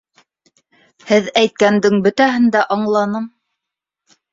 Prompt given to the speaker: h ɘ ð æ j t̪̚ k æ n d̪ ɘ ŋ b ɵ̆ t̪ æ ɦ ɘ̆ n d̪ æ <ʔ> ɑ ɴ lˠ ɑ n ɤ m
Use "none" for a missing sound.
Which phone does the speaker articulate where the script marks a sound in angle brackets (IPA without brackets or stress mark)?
ʔ